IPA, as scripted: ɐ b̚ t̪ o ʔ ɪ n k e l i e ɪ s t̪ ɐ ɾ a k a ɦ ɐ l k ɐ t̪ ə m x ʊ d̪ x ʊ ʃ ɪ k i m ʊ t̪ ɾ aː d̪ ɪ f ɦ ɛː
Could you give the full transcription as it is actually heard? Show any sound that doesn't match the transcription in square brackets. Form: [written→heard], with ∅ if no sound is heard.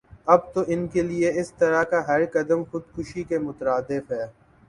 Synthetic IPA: ɐ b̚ t̪ o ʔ ɪ n k e l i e ɪ s t̪ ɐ ɾ a k a ɦ ɐ [l→ɾ] k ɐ [t̪→d̪] ə m x ʊ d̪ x ʊ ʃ [ɪ→i] k [i→e] m ʊ t̪ ɾ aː d̪ ɪ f ɦ ɛː